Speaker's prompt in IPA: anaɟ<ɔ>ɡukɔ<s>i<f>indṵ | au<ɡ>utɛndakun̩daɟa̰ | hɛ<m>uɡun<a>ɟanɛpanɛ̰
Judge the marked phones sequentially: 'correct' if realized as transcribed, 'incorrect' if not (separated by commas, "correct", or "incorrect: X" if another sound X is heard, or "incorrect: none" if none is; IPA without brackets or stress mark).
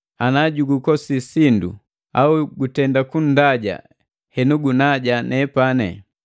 incorrect: u, correct, incorrect: s, correct, incorrect: n, correct